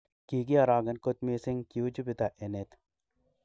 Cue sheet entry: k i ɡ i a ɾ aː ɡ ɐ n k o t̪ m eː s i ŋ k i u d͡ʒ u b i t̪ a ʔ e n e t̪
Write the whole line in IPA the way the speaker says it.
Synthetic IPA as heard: k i ɡ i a ɾ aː ɡ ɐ n k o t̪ m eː s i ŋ k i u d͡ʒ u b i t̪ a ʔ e n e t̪